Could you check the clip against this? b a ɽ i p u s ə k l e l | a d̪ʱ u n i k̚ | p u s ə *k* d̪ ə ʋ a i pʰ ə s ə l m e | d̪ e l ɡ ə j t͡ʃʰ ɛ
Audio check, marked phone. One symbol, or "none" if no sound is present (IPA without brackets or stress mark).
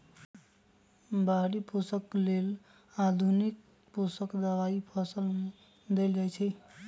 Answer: k